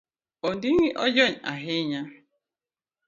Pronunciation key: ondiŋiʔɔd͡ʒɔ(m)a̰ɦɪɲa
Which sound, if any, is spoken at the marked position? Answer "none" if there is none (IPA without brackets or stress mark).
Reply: ɲ